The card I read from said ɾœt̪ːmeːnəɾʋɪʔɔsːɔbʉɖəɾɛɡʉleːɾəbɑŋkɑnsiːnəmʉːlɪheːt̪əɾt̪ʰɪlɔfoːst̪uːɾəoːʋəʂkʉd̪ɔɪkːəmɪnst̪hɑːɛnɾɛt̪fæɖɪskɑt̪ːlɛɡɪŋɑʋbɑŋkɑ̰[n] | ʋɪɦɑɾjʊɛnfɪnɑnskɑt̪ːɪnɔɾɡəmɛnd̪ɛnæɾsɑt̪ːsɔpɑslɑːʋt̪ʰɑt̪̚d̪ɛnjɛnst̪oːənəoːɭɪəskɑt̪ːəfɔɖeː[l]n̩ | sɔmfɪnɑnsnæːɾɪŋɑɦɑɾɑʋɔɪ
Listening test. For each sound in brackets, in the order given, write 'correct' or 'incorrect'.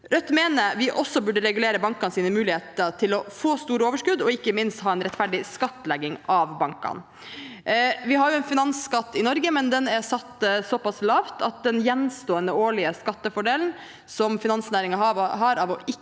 correct, correct

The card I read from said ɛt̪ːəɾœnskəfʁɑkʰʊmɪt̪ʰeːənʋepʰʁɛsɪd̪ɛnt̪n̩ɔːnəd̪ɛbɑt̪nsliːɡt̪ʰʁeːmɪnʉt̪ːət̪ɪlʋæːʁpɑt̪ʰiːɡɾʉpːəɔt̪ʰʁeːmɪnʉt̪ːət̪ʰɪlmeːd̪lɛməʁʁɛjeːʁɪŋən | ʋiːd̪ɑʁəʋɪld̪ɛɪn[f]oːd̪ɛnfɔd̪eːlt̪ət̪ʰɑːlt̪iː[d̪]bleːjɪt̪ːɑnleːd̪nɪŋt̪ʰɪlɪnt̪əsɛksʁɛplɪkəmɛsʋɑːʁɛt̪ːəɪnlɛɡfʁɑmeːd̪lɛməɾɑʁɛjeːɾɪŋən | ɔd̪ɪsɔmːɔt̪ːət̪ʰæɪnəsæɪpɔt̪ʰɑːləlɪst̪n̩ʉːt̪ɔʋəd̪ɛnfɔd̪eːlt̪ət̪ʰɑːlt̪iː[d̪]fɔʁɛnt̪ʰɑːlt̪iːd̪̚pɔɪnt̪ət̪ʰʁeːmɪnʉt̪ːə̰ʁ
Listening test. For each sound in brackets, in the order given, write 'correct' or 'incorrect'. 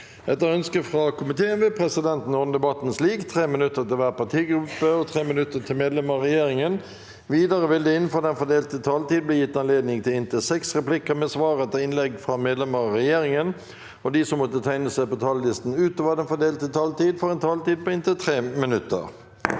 correct, correct, correct

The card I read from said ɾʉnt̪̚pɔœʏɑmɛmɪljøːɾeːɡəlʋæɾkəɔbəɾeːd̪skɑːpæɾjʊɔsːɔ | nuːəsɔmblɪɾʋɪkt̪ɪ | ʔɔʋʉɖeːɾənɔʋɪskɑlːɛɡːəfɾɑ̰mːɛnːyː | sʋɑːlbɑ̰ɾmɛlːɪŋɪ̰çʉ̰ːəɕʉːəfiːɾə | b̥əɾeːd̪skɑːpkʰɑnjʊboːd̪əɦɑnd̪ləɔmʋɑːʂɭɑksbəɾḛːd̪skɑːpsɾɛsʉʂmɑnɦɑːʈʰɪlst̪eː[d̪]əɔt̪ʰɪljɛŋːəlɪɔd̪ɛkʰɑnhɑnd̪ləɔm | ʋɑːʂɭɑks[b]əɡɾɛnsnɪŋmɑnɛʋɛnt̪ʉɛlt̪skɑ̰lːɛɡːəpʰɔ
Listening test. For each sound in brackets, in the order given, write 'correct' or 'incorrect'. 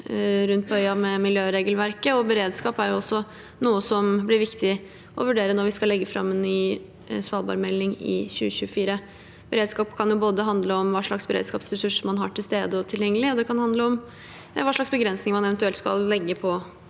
correct, correct

